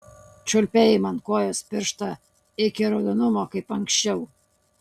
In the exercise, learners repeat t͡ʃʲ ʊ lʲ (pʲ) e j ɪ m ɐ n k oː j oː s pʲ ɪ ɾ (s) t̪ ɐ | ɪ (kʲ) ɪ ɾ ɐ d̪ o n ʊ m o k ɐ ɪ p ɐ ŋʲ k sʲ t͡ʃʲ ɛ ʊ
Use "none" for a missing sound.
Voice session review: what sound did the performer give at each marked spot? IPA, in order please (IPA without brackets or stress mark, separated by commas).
pʲ, ʃ, kʲ